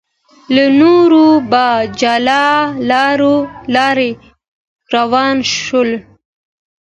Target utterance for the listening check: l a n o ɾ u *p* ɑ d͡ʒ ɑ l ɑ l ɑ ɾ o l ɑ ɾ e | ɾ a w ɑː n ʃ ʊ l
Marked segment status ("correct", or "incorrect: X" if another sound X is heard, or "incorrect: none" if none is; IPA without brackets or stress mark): incorrect: b